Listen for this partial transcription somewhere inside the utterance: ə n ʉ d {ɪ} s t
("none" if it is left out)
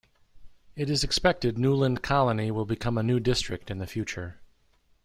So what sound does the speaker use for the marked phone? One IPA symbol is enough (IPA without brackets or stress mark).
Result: ɪ